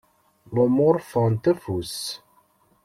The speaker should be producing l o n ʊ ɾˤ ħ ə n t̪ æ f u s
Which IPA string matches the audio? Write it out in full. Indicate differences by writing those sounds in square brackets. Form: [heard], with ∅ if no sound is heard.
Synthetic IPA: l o [m] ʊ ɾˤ [f] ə n t̪ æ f u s

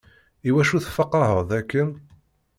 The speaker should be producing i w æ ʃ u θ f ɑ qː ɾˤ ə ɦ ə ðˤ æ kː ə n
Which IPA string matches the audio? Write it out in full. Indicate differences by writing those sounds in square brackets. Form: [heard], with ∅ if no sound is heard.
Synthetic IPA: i w æ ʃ u θ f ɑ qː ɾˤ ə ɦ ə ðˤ æ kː ə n

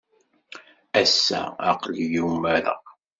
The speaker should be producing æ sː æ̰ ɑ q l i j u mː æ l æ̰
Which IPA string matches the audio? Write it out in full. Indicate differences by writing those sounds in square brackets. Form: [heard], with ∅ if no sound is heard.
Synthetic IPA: æ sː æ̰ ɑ q l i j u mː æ [ɾ] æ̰

